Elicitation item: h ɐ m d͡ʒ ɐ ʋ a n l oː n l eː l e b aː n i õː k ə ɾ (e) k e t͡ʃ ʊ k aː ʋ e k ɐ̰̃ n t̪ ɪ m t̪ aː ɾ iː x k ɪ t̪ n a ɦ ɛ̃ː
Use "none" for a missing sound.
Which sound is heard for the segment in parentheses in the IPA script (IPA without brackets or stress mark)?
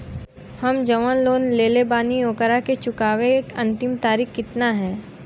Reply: a